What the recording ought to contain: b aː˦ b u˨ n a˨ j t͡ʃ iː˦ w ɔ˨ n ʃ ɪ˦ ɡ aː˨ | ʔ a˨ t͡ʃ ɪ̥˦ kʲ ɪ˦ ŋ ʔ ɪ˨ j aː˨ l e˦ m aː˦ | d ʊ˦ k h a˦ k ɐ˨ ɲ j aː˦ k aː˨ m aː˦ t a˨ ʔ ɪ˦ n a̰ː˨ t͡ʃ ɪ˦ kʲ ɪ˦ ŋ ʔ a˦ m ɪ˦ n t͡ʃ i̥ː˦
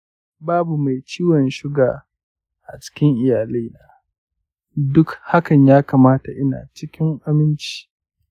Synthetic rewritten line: b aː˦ b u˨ m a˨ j t͡ʃ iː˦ w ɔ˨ n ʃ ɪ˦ ɡ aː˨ | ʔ a˨ t͡ʃ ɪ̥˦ kʲ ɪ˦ ŋ ʔ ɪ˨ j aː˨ l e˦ n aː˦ | d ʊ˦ k h a˦ k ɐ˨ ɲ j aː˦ k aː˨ m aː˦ t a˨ ʔ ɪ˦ n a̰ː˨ t͡ʃ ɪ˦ kʲ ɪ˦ ŋ ʔ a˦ m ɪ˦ n t͡ʃ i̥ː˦

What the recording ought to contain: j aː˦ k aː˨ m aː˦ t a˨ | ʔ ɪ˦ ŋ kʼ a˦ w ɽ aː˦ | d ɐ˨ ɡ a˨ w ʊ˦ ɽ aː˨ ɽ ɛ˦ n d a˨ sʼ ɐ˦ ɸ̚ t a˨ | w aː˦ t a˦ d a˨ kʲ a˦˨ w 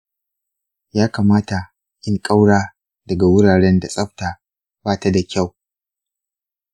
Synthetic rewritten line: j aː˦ k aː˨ m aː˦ t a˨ | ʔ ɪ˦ ŋ kʼ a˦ w ɽ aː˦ | d ɐ˨ ɡ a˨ w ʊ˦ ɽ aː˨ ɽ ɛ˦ n d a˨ sʼ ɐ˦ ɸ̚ t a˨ | b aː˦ t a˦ d a˨ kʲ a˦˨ w

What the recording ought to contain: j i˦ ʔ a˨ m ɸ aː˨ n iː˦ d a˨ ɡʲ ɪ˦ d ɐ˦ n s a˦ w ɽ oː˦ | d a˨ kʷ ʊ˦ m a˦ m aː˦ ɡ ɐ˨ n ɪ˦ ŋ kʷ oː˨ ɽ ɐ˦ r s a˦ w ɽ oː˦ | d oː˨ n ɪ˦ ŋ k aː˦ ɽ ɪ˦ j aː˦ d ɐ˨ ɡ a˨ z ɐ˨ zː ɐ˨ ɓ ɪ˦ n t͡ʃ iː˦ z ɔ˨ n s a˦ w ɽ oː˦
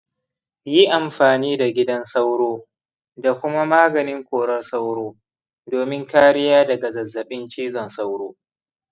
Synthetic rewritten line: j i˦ ʔ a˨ m ɸ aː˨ n iː˦ d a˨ ɡʲ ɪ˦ d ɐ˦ n s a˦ w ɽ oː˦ | d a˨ kʷ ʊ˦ m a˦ m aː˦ ɡ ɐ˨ n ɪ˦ ŋ kʷ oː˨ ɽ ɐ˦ r s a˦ w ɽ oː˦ | d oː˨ m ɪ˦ ŋ k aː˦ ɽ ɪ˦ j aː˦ d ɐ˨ ɡ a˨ z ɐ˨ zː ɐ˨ ɓ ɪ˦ n t͡ʃ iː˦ z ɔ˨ n s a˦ w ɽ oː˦

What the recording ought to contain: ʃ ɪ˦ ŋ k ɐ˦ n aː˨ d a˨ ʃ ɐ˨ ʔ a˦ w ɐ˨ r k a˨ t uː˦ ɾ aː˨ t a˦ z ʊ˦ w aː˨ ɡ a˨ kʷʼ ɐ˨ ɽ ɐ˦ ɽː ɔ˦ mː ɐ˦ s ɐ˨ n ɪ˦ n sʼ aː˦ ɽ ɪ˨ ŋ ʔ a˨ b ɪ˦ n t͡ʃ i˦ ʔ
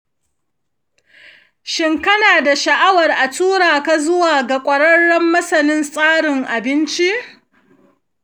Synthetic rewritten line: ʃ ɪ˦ ŋ k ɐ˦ n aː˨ d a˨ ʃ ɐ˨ ʔ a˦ w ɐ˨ r ʔ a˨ t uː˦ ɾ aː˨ k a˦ z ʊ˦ w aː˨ ɡ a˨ kʷʼ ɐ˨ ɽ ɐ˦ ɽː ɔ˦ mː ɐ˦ s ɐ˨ n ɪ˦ n sʼ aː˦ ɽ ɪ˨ ŋ ʔ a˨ b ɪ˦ n t͡ʃ i˦ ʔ

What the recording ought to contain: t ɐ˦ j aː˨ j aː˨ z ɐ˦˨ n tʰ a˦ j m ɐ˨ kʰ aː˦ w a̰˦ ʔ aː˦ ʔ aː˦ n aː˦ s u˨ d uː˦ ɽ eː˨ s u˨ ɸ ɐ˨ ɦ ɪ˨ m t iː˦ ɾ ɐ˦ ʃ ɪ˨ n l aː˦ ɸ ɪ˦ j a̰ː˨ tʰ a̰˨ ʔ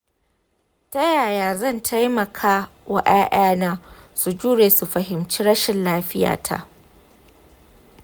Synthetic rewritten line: t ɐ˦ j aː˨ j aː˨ z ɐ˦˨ n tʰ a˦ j m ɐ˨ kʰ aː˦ w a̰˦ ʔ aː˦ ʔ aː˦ n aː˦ s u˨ d͡ʒ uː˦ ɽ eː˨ s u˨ ɸ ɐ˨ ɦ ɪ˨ m t͡ʃ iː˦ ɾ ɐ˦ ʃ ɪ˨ n l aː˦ ɸ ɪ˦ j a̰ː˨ tʰ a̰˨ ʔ

